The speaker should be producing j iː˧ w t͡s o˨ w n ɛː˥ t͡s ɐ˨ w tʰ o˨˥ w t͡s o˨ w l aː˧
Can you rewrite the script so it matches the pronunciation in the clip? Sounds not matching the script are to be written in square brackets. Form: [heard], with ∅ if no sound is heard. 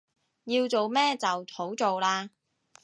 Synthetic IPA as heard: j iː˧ w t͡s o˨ w [m] ɛː˥ t͡s ɐ˨ w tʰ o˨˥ w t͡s o˨ w l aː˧